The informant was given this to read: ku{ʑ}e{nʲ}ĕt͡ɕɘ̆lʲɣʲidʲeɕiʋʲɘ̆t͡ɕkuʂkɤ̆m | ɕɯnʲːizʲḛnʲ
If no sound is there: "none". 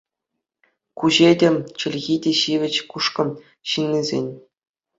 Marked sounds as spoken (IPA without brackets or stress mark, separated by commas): ʑ, dʲ